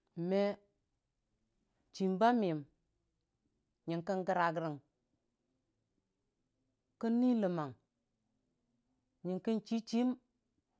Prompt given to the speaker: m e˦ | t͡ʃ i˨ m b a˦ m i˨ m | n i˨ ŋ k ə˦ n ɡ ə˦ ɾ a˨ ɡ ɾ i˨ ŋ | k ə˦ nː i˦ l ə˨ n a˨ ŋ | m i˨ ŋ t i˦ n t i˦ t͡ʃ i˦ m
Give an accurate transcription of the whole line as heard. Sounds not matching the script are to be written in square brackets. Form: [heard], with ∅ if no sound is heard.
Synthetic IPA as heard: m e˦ | t͡ʃ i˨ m b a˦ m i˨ m | [ɲ] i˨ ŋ k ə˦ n ɡ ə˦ ɾ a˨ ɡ ɾ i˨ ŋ | k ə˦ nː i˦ l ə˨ [m] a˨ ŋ | [ɲ] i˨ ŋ [k] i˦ n [t͡ʃ] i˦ t͡ʃ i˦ m